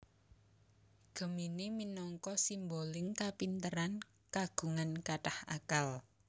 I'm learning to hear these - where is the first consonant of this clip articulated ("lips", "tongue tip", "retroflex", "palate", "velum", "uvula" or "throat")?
velum